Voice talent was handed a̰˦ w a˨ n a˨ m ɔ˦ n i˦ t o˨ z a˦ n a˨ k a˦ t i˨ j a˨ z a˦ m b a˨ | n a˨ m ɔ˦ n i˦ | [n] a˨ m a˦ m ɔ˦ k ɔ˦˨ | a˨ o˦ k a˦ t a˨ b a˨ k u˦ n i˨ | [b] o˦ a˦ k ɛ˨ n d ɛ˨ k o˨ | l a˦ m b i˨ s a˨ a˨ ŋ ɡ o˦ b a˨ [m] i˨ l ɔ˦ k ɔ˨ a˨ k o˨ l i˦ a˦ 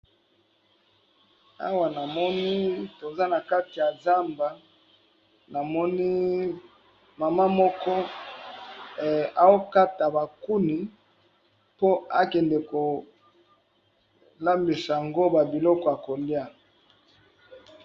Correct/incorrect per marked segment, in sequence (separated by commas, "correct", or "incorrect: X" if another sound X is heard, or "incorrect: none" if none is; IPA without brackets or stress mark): incorrect: m, incorrect: p, incorrect: b